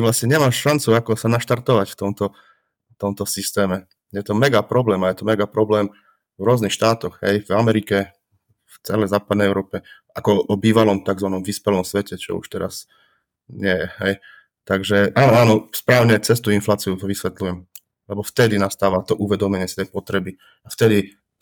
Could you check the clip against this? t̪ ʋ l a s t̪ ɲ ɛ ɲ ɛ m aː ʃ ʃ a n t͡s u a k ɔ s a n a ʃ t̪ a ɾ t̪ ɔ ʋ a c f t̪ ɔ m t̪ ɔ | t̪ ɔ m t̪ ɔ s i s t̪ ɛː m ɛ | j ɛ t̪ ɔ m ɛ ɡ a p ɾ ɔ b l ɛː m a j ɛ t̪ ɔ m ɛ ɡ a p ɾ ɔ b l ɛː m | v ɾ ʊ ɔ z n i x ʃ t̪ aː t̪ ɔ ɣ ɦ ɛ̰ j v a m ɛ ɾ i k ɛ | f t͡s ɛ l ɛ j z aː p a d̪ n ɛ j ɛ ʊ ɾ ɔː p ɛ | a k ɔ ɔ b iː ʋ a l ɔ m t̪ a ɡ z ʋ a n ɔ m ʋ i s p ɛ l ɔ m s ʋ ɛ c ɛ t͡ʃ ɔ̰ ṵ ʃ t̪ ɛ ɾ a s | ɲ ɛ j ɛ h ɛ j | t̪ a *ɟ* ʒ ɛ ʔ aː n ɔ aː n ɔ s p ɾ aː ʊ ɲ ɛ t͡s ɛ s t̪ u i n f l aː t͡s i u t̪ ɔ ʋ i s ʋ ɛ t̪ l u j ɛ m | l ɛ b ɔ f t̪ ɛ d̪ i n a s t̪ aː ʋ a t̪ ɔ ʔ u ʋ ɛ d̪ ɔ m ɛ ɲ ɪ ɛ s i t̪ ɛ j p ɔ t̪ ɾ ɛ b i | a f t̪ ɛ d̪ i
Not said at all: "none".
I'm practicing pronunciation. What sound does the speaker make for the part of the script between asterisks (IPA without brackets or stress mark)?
ɡ